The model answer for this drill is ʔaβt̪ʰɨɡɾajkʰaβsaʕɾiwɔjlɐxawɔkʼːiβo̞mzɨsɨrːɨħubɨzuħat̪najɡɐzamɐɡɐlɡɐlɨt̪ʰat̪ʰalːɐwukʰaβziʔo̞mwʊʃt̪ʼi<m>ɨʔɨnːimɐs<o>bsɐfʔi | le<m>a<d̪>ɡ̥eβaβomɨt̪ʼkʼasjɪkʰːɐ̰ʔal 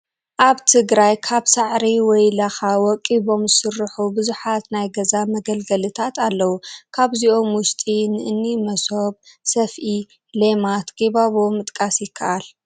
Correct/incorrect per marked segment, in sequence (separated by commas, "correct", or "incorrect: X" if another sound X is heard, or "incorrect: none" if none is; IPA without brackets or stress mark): incorrect: n, correct, correct, incorrect: t̪